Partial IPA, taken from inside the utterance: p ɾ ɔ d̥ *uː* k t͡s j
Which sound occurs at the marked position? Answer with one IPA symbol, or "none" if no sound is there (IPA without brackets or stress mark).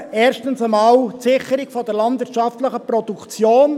u